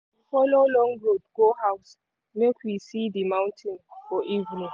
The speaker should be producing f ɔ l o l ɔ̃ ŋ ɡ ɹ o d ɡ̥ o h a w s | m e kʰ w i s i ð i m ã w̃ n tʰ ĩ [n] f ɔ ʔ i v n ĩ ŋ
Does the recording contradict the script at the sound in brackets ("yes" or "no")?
no